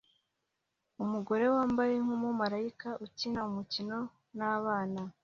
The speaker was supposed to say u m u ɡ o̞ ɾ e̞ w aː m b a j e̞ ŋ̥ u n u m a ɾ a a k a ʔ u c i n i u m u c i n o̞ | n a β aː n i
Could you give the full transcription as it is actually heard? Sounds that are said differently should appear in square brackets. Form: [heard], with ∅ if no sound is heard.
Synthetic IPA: u m u ɡ o̞ ɾ e̞ w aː m b a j e̞ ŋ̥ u [m] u m a ɾ a [i] k a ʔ u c i n [a] u m u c i n o̞ | n a β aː n [a]

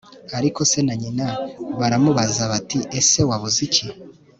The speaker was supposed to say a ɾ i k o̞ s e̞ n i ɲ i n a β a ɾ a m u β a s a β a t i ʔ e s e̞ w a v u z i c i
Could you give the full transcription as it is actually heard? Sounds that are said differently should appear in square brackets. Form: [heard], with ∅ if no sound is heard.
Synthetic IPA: a ɾ i k o̞ s e̞ n [a] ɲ i n a β a ɾ a m u β a [z] a β a t i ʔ e s e̞ w a [β] u z i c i

